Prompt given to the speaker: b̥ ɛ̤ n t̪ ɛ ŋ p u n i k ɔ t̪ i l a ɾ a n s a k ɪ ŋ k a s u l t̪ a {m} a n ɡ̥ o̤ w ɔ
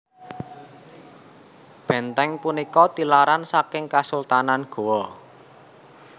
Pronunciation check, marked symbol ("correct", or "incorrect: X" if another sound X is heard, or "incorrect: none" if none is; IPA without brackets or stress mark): incorrect: n